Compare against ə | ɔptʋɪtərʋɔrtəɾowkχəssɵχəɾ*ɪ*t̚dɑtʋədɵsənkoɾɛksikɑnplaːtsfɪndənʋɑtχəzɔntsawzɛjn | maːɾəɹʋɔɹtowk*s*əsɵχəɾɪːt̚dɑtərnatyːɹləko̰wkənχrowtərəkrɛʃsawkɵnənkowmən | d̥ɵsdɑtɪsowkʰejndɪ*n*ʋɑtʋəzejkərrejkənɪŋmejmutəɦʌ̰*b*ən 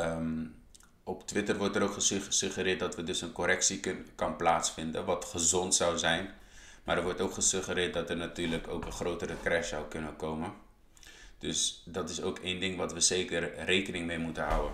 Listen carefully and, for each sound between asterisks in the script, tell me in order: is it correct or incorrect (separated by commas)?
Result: incorrect, incorrect, incorrect, incorrect